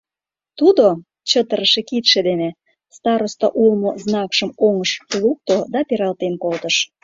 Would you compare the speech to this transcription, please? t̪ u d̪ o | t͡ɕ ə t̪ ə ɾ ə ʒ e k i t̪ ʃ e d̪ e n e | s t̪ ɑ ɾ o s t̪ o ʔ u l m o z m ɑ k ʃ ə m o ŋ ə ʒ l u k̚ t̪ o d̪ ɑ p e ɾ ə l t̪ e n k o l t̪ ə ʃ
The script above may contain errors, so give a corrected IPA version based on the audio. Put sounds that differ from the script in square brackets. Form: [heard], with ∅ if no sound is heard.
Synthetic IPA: t̪ u d̪ o | t͡ɕ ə t̪ ə ɾ ə [ʃ] e k i t̪ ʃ e d̪ e n e | s t̪ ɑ ɾ o s t̪ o ʔ u l m o z [n] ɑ k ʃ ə m o ŋ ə [ʃ] l u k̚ t̪ o d̪ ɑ p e ɾ [ɑ] l t̪ e n k o l t̪ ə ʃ